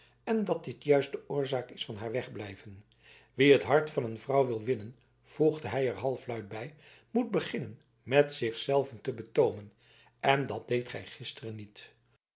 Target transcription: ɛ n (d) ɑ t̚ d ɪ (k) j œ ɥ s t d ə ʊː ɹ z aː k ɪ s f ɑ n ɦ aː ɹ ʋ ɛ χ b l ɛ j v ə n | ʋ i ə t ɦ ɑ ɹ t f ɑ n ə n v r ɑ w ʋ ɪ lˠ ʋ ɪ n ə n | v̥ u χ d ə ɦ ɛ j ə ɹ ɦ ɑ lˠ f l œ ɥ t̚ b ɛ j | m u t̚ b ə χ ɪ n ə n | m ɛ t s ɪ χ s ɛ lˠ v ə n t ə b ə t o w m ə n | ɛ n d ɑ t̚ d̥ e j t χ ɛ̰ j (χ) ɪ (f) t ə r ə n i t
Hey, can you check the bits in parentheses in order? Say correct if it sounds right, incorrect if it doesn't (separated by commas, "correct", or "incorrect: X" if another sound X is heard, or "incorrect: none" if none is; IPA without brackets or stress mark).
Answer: correct, incorrect: t, correct, incorrect: s